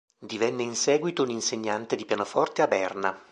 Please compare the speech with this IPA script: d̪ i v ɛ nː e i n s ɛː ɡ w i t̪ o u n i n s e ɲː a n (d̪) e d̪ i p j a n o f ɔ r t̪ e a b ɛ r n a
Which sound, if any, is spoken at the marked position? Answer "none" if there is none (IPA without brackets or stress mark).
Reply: t̪